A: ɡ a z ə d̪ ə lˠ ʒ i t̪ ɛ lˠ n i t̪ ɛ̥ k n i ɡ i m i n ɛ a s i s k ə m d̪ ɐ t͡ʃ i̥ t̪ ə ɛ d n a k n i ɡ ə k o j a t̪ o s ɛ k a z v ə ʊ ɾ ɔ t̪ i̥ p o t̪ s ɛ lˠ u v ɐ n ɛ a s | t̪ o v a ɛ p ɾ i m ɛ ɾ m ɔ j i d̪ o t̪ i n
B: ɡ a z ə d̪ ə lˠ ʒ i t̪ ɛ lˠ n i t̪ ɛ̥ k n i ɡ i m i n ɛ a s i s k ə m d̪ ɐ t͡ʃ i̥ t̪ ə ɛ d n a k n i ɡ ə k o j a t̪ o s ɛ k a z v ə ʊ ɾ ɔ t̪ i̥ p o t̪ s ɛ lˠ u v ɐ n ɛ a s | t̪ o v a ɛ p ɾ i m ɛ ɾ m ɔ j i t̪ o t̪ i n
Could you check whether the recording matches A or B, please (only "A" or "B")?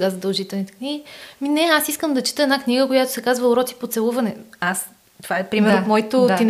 B